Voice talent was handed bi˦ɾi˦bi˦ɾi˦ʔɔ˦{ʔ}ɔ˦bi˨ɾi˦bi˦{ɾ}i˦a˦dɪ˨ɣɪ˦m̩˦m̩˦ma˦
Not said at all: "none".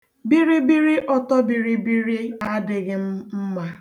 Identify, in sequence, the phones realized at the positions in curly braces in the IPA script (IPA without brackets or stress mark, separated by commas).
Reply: t, ɾ